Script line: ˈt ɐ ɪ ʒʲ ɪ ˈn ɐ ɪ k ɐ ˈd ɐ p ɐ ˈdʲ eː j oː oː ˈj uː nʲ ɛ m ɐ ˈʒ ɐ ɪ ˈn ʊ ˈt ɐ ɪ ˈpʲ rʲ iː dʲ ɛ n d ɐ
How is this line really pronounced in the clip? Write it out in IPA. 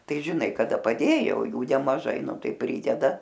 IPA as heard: ˈt ɐ ɪ ʒʲ ɪ ˈn ɐ ɪ k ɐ ˈd ɐ p ɐ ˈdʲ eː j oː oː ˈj uː nʲ ɛ m ɐ ˈʒ ɐ ɪ ˈn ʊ ˈt ɐ ɪ ˈpʲ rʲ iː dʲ ɛ d ɐ